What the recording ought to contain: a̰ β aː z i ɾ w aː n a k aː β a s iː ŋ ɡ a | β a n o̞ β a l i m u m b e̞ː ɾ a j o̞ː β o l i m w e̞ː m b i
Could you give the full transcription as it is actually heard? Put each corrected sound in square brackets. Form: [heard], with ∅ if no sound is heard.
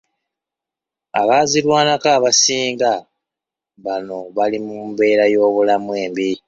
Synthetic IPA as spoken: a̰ β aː z i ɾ w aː n a k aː β a s iː ŋ ɡ a | β a n o̞ β a l i m u m b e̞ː ɾ a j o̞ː β [u] l [a] m w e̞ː m b i